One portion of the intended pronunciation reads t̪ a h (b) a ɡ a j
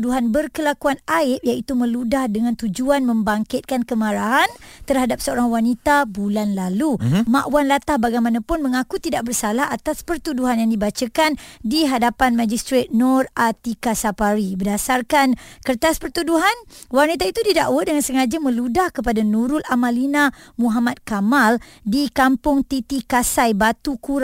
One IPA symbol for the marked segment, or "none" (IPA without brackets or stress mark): b